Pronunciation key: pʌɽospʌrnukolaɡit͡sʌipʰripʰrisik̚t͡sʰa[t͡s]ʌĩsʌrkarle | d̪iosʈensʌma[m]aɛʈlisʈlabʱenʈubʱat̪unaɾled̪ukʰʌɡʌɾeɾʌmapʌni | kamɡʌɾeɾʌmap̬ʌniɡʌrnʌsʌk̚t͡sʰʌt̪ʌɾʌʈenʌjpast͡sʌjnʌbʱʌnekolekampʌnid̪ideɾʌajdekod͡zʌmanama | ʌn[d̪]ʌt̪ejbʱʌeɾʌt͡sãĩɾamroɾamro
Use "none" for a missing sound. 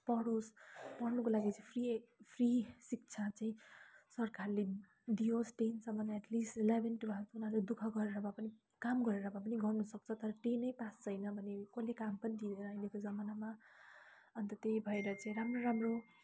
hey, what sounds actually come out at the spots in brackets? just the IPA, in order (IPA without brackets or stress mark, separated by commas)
t͡s, n, t̪